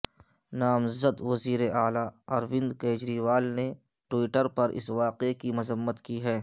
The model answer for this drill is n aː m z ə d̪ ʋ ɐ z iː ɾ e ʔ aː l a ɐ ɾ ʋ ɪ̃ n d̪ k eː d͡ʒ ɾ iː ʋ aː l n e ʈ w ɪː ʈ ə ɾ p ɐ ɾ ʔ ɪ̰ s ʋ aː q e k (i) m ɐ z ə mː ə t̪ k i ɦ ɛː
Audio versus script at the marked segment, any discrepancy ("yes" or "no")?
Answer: no